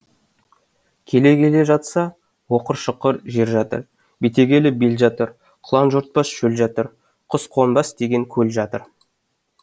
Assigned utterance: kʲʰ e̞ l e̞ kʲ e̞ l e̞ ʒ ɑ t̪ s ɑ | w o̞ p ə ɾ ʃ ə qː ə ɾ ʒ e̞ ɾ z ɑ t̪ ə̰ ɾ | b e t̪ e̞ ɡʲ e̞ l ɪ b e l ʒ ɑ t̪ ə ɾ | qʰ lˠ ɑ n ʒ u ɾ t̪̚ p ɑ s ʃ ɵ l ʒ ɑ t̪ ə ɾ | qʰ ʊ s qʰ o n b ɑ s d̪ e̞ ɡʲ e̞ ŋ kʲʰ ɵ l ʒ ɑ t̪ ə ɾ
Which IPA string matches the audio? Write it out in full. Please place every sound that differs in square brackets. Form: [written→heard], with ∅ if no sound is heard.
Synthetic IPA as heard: kʲʰ e̞ l e̞ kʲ e̞ l e̞ ʒ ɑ t̪ s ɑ | w o̞ [p→q] ə ɾ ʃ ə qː ə ɾ ʒ e̞ ɾ [z→ʒ] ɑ t̪ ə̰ ɾ | b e t̪ e̞ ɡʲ e̞ l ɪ b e l ʒ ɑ t̪ ə ɾ | qʰ lˠ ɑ n ʒ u ɾ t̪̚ p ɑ s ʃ ɵ l ʒ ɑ t̪ ə ɾ | qʰ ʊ s qʰ o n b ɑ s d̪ e̞ ɡʲ e̞ ŋ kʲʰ ɵ l ʒ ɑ t̪ ə ɾ